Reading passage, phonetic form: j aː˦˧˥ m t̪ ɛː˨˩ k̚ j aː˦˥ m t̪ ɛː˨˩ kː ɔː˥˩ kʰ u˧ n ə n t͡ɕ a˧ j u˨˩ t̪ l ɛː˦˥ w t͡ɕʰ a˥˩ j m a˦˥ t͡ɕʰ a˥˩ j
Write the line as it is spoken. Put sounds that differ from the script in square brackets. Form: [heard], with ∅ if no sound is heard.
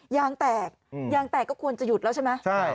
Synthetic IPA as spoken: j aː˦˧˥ [ŋ] t̪ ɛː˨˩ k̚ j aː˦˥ [ŋ] t̪ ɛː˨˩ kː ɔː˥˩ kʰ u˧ [∅] ə n t͡ɕ [a˨˩] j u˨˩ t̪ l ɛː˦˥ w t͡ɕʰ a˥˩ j m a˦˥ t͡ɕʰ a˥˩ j